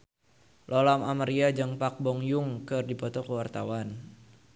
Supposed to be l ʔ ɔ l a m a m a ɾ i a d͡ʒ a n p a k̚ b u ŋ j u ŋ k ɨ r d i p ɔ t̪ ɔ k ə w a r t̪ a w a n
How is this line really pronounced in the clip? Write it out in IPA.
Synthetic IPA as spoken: l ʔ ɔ l a m a m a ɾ i a d͡ʒ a ŋ p a k̚ b ɔ ŋ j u ŋ k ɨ r d i p ɔ t̪ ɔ k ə w a r t̪ a w a n